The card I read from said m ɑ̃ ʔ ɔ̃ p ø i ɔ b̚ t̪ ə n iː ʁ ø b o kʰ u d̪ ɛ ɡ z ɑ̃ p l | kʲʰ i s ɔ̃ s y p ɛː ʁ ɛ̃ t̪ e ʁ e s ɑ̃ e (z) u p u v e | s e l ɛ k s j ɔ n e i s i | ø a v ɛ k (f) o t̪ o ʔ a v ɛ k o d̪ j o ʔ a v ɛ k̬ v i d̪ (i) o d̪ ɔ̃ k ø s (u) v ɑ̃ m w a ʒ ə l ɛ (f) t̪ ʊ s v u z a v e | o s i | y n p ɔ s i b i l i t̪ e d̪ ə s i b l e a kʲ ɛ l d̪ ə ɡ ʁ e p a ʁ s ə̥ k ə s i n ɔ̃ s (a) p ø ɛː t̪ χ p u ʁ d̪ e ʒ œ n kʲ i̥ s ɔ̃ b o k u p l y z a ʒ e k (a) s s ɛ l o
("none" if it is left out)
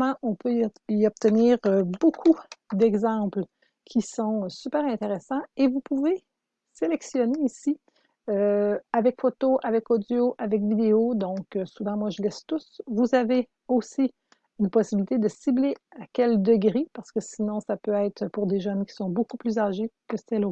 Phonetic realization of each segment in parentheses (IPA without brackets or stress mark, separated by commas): v, f, e, u, s, a, ə